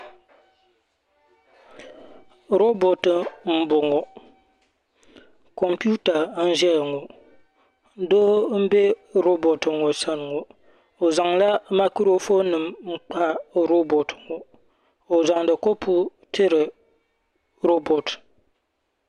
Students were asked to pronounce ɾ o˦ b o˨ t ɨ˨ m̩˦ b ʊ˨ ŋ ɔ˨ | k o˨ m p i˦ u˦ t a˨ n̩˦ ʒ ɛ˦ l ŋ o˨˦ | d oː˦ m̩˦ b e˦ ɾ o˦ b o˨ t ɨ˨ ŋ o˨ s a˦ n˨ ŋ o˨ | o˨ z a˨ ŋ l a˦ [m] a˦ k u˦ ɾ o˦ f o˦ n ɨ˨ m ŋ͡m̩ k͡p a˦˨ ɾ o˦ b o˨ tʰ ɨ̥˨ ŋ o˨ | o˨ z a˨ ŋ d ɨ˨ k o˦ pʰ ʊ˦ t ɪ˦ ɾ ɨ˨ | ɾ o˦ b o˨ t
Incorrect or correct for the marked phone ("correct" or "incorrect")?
correct